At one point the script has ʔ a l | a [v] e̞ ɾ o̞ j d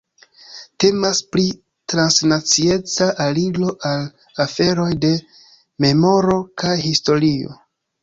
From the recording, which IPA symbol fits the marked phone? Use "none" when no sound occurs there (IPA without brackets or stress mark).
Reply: f